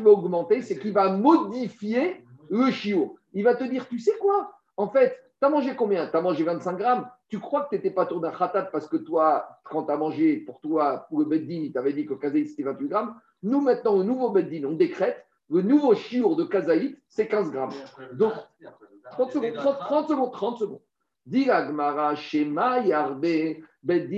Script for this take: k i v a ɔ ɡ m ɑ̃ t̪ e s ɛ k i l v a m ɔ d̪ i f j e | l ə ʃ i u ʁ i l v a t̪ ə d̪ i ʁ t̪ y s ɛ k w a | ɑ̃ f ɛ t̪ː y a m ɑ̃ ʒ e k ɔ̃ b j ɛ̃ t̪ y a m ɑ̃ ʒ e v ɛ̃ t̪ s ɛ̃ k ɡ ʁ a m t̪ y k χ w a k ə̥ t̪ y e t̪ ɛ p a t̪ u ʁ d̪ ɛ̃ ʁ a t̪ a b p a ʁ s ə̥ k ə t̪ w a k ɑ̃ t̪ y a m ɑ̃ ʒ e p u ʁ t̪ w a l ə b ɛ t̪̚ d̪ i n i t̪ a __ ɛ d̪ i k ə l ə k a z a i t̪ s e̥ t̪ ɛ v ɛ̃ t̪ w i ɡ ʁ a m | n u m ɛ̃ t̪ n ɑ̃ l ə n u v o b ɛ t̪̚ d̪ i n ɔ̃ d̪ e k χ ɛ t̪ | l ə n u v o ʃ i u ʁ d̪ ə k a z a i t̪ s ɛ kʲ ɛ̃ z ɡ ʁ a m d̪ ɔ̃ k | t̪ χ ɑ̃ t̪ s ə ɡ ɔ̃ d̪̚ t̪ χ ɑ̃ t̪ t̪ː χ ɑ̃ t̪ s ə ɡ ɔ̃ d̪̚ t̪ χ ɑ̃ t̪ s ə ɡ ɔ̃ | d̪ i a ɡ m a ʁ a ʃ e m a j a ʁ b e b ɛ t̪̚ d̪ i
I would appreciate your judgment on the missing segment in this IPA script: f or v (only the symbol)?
v